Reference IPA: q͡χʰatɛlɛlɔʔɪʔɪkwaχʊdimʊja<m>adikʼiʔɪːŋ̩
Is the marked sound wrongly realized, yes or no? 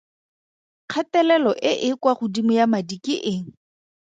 no